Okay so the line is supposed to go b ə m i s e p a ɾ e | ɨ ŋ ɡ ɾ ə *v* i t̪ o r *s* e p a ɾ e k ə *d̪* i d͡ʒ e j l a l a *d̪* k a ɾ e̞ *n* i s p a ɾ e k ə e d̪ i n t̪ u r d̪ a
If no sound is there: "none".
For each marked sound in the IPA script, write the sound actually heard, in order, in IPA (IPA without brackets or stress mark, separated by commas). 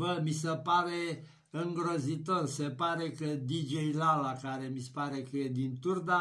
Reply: z, s, d̪, none, m